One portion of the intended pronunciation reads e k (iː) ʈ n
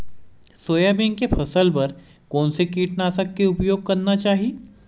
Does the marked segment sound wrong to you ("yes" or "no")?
no